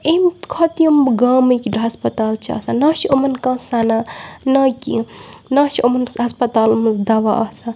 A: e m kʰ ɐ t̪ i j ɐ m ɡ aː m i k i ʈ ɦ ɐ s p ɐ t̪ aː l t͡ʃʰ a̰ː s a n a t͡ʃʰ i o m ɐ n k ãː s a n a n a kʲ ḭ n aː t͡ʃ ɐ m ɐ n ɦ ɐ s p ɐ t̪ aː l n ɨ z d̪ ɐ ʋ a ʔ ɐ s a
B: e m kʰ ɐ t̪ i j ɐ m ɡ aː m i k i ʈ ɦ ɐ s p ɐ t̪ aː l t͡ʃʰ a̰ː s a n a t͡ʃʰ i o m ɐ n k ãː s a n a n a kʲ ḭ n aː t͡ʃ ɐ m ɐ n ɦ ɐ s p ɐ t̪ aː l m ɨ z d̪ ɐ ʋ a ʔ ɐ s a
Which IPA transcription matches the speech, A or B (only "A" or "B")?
B